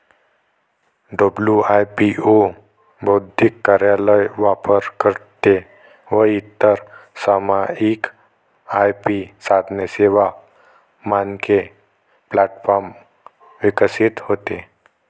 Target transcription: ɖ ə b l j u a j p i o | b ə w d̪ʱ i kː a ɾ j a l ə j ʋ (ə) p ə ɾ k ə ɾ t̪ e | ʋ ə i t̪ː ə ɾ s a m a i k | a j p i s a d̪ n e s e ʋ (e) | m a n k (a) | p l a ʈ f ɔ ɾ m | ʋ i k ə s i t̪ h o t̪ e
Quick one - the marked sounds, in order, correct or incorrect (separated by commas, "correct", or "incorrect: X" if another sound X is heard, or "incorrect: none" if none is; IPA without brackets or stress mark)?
incorrect: a, incorrect: a, incorrect: e